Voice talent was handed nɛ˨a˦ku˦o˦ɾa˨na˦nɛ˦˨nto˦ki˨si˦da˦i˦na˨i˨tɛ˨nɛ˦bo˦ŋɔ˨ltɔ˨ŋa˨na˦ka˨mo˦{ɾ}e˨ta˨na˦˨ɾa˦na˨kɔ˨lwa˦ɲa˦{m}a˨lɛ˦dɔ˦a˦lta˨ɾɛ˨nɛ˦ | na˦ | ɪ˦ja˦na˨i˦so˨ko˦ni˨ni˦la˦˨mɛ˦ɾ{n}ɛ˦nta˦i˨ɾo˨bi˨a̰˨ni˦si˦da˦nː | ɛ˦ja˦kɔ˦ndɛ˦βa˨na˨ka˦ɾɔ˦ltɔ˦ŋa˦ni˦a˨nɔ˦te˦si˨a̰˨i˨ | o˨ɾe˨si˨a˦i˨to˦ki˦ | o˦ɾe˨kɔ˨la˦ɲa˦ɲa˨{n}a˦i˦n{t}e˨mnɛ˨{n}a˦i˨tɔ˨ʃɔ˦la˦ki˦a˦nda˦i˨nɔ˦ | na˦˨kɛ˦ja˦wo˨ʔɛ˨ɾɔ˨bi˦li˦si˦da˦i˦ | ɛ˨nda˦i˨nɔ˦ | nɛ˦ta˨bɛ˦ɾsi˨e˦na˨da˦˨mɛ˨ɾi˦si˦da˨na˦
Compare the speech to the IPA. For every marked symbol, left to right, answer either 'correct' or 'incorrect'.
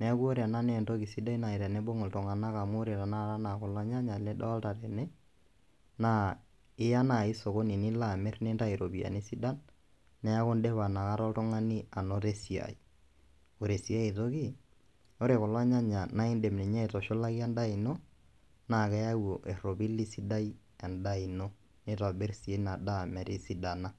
correct, incorrect, correct, correct, incorrect, incorrect

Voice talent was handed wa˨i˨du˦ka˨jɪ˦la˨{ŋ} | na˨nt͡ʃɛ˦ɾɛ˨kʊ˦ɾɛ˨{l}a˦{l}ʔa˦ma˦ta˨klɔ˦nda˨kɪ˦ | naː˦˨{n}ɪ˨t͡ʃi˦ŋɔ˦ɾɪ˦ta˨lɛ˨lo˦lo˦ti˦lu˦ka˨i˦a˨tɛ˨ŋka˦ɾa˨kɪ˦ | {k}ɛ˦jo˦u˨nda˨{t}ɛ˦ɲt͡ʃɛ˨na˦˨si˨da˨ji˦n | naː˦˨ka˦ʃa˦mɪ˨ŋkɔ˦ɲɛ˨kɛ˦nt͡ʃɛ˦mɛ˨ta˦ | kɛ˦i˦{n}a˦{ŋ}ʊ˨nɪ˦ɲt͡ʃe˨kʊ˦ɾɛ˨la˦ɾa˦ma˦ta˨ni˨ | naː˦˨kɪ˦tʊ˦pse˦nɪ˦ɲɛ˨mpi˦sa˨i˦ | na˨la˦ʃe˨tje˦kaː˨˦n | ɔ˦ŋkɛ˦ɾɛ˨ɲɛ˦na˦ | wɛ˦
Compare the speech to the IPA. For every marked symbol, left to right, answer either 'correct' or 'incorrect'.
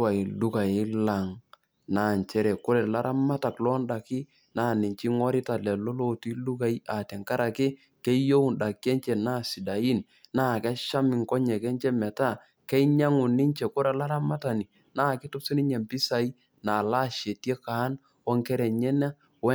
correct, correct, incorrect, correct, correct, incorrect, incorrect, correct

